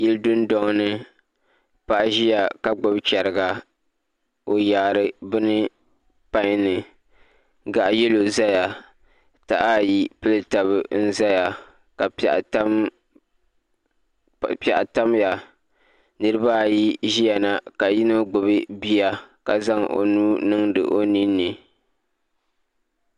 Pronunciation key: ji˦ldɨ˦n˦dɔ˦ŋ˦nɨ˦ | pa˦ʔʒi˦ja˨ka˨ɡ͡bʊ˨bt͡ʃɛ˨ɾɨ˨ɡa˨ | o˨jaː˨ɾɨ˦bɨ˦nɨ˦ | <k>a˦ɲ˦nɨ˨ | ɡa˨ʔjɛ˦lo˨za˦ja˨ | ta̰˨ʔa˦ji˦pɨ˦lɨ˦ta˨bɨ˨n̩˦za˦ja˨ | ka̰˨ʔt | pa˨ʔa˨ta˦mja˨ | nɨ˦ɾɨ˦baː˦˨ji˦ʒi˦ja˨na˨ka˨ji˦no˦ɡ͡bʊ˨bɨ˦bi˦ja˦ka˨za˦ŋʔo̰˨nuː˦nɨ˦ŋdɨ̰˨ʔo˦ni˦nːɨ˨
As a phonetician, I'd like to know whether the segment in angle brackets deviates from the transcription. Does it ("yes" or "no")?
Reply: yes